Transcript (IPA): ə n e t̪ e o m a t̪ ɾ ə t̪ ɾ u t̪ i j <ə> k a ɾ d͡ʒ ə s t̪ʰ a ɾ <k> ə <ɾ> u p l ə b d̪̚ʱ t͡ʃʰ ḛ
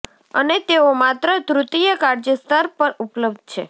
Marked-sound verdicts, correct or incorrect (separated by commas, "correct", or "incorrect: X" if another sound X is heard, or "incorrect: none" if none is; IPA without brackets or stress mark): correct, incorrect: p, correct